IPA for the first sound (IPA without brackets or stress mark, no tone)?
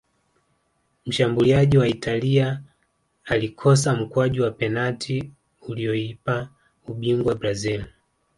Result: m̩